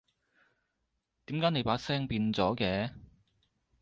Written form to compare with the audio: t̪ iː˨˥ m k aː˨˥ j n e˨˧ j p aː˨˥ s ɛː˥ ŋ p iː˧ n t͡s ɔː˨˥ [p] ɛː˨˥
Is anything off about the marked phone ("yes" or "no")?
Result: yes